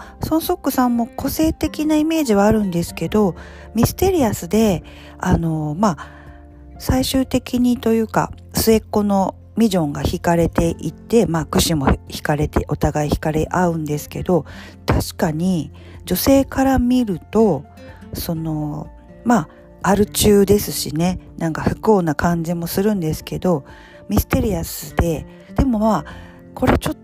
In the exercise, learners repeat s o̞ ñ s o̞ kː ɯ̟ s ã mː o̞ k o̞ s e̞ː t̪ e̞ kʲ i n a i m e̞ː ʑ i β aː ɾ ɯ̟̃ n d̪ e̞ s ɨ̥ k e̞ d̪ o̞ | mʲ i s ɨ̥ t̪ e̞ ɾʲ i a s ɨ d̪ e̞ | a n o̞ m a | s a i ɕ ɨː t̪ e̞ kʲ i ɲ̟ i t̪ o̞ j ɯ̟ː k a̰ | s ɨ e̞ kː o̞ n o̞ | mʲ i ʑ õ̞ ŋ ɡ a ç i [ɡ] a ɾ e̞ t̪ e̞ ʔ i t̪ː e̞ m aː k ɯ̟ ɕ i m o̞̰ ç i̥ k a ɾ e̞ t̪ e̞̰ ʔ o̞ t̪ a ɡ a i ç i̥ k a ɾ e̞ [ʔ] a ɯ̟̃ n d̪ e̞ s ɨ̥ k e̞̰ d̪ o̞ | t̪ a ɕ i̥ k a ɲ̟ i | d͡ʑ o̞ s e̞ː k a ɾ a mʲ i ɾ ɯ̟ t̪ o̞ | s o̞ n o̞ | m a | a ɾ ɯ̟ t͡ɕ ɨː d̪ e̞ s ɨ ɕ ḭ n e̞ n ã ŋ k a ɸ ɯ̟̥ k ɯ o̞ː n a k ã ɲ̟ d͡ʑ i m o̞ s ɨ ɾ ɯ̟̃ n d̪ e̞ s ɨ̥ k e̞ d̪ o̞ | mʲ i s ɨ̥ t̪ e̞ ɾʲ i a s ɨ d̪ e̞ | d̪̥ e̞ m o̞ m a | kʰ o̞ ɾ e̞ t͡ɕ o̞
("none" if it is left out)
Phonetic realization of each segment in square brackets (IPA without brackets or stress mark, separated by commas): k, ʔ